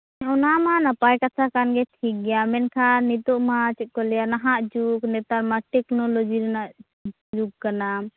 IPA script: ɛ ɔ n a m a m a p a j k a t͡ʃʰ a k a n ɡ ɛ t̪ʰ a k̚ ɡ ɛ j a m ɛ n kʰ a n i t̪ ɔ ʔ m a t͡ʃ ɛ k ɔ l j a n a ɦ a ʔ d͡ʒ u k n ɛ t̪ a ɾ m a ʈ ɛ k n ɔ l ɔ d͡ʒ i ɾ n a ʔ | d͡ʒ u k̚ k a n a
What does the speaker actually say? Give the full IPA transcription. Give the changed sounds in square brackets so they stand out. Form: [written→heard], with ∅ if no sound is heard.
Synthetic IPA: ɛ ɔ n a m a [m→n] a p a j k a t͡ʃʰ a k a n ɡ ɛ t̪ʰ [a→i] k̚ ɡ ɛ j a m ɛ n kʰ a n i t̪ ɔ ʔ m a t͡ʃ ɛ k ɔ l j a n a ɦ a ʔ d͡ʒ u k n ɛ t̪ a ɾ m a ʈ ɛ k n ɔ l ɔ d͡ʒ i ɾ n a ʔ | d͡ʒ u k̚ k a n a

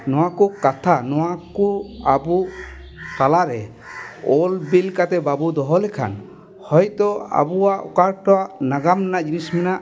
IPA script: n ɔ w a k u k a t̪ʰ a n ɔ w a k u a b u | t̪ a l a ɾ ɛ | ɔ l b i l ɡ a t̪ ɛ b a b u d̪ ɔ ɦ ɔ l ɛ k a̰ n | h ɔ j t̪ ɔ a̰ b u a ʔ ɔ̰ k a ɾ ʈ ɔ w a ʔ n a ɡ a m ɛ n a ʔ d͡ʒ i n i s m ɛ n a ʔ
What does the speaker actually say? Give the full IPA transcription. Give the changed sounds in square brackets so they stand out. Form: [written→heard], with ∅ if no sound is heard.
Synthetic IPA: n ɔ w a k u k a t̪ʰ a n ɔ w a k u a b u | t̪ a l a ɾ ɛ | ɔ l b i l [ɡ→k] a t̪ ɛ b a b u d̪ ɔ ɦ ɔ l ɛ [k→kʰ] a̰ n | h ɔ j t̪ ɔ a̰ b u a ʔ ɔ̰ k a ɾ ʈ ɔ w a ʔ n a ɡ a m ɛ n a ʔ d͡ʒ i n i s m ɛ n a ʔ

